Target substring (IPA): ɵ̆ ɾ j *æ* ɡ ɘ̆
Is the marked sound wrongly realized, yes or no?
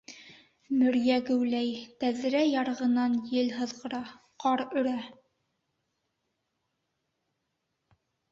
no